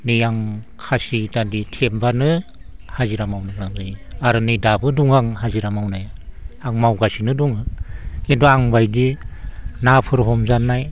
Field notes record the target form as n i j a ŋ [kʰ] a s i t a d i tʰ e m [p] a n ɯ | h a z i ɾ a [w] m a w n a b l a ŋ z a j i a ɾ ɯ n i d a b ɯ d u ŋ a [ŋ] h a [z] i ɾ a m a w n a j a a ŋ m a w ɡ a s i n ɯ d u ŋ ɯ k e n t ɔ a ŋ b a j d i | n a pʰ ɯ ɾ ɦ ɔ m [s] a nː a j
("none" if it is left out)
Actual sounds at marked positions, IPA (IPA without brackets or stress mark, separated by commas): kʰ, b, none, ŋ, z, z